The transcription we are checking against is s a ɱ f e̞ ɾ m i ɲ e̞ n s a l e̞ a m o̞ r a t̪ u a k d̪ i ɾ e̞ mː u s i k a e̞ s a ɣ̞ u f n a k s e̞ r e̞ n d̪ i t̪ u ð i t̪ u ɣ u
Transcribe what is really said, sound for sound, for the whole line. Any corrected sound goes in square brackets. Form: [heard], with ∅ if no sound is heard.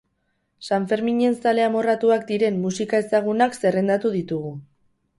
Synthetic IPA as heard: s a ɱ f e̞ ɾ m i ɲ e̞ n s a l e̞ a m o̞ r a t̪ u a k d̪ i ɾ e̞ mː u s i k a e̞ s a ɣ̞ u [∅] n a k s e̞ r e̞ n d̪ [a] t̪ u ð i t̪ u ɣ u

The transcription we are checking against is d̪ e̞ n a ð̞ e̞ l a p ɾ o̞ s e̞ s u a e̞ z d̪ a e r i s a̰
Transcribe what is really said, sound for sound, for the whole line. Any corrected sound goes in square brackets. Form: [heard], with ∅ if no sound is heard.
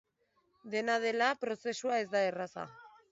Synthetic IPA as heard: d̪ e̞ n a ð̞ e̞ l a p ɾ o̞ s e̞ s u a e̞ z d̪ a e r [a] s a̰

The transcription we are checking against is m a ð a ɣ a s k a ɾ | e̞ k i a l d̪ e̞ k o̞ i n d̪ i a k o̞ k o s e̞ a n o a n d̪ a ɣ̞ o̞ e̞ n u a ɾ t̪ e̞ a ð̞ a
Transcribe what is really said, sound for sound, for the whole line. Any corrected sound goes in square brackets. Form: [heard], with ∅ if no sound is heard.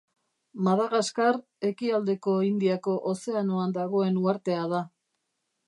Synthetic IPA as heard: m a ð a ɣ a s k a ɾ | e̞ k i a l d̪ e̞ k o̞ i n d̪ i a k o̞ [ʔ] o s e̞ a n o a n d̪ a ɣ̞ o̞ e̞ n u a ɾ t̪ e̞ a ð̞ a

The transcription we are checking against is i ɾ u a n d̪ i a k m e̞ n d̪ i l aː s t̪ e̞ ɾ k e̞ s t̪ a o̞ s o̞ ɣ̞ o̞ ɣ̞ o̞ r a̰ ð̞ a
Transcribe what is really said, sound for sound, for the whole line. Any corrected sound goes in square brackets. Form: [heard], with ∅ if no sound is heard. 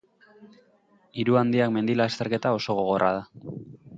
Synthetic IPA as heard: i ɾ u a n d̪ i a k m e̞ n d̪ i l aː s t̪ e̞ ɾ k e̞ [∅] t̪ a o̞ s o̞ ɣ̞ o̞ ɣ̞ o̞ r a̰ ð̞ a

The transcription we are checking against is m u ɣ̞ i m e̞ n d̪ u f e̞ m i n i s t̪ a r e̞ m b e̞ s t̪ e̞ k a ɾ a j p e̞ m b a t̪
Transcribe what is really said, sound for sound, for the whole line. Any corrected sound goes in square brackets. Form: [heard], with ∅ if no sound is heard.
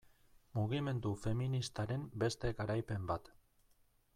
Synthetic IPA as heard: m u ɣ̞ i m e̞ n d̪ u f e̞ m i n i s t̪ a [ɾ] e̞ m b e̞ s t̪ e̞ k a ɾ a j p e̞ m b a t̪

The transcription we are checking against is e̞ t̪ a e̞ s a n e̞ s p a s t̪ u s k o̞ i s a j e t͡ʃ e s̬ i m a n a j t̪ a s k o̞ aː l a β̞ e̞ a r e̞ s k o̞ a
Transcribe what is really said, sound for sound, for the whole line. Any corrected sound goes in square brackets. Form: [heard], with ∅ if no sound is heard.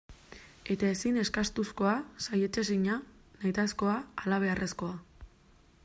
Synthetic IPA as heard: e̞ t̪ a e̞ s [i] n e̞ s [k] a s t̪ u s k o̞ [a] s a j e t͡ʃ e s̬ i [ɲ] a n a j t̪ a s k o̞ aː l a β̞ e̞ a r e̞ s k o̞ a

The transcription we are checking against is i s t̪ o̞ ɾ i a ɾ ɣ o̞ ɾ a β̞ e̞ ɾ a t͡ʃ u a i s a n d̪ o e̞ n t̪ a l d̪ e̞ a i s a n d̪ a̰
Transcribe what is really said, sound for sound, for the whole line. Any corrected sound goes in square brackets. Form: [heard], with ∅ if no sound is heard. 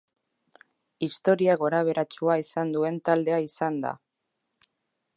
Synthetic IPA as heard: i s t̪ o̞ ɾ i a [∅] ɣ o̞ ɾ a β̞ e̞ ɾ a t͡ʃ u a i s a n d̪ [u] e̞ n t̪ a l d̪ e̞ a i s a n d̪ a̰

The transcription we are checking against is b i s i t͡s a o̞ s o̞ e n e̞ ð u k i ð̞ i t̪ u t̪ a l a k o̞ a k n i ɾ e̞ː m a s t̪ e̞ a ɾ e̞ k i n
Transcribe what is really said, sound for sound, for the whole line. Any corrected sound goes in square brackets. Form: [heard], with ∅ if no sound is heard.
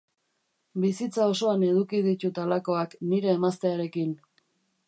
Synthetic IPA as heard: b i s i t͡s a o̞ s o̞ [a] n e̞ ð u k i ð̞ i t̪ u t̪ a l a k o̞ a k n i ɾ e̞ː m a s t̪ e̞ a ɾ e̞ k i n

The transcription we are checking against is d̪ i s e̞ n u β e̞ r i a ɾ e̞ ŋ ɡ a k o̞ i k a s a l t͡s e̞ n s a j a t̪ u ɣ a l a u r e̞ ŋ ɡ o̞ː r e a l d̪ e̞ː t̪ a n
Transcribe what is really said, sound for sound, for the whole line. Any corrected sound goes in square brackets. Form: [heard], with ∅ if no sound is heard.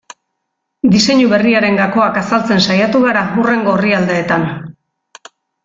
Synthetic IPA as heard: d̪ i s e̞ [ɲ] u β e̞ r i a ɾ e̞ ŋ ɡ a k o̞ [a] k a s a l t͡s e̞ n s a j a t̪ u ɣ a [ɾ] a u r e̞ ŋ ɡ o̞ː r [i] a l d̪ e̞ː t̪ a n

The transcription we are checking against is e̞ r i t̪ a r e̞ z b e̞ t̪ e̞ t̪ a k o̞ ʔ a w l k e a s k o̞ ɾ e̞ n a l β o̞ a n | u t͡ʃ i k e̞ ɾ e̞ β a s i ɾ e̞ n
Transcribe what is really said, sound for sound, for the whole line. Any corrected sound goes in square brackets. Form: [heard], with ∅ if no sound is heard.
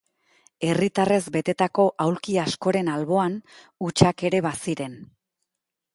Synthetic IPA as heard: e̞ r i t̪ a r e̞ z b e̞ t̪ e̞ t̪ a k o̞ ʔ a w l k [i] a s k o̞ ɾ e̞ n a l β o̞ a n | u t͡ʃ [a] k e̞ ɾ e̞ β a s i ɾ e̞ n

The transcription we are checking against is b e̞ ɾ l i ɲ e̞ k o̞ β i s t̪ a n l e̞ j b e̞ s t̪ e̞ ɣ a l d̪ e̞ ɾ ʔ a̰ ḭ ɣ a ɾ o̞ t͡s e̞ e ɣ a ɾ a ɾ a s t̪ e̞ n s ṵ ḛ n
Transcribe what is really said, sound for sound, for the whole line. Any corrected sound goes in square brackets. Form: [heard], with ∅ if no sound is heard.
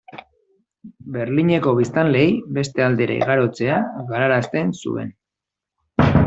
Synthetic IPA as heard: b e̞ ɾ l i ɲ e̞ k o̞ β i s t̪ a n l e̞ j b e̞ s t̪ e̞ [∅] a l d̪ e̞ ɾ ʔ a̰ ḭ ɣ a ɾ o̞ t͡s e̞ [a] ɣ a ɾ a ɾ a s t̪ e̞ n s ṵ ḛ n

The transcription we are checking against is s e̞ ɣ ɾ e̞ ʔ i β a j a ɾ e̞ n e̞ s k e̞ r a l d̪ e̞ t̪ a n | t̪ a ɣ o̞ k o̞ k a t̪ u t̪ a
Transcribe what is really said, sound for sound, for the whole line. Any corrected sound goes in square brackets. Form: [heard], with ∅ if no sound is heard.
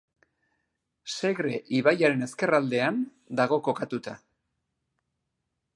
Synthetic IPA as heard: s e̞ ɣ ɾ e̞ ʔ i β a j a ɾ e̞ n e̞ s k e̞ r a l d̪ e̞ [∅] a n | [d̪] a ɣ o̞ k o̞ k a t̪ u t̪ a

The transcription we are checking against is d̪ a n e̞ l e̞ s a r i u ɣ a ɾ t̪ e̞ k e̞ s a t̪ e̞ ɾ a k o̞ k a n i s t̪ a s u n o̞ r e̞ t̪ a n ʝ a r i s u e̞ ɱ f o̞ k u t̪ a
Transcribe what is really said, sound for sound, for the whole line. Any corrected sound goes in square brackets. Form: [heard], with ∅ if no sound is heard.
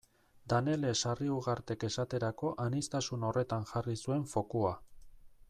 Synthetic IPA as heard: d̪ a n e̞ l e̞ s a r i u ɣ a ɾ t̪ e̞ k e̞ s a t̪ e̞ ɾ a k o̞ [ʔ] a n i s t̪ a s u n o̞ r e̞ t̪ a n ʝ a r i s u e̞ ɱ f o̞ k u [∅] a

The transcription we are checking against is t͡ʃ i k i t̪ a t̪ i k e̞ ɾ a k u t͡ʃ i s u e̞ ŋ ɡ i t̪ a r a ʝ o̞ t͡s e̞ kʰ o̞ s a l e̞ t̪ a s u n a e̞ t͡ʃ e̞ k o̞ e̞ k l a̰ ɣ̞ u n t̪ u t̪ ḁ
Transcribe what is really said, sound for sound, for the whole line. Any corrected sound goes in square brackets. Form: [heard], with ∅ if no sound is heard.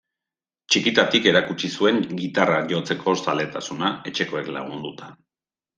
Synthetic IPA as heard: t͡ʃ i k i t̪ a t̪ i k e̞ ɾ a k u t͡ʃ i s u e̞ ŋ ɡ i t̪ a r a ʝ o̞ t͡s e̞ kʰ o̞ s a l e̞ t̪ a s u n a e̞ t͡ʃ e̞ k o̞ e̞ k l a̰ ɣ̞ u n [d̪] u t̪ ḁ

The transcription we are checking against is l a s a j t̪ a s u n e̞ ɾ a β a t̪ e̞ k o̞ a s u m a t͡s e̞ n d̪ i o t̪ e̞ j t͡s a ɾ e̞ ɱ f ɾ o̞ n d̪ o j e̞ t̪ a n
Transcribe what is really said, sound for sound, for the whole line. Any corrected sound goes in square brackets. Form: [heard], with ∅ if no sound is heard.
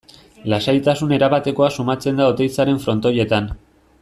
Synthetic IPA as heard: l a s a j t̪ a s u n e̞ ɾ a β a t̪ e̞ k o̞ a s u m a t͡s e̞ n d̪ [a] o t̪ e̞ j t͡s a ɾ e̞ ɱ f ɾ o̞ n [t̪] o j e̞ t̪ a n

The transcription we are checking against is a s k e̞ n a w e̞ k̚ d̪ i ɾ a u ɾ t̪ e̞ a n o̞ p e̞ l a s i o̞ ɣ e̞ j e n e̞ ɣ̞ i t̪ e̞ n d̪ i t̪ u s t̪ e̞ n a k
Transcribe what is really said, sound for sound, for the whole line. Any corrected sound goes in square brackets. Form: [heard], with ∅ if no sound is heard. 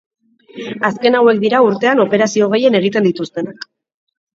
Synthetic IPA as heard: a s k e̞ n a w e̞ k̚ d̪ i ɾ a u ɾ t̪ e̞ a n o̞ p e̞ [ɾ] a s i o̞ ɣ e̞ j e n e̞ ɣ̞ i t̪ e̞ n d̪ i t̪ u s t̪ e̞ n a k

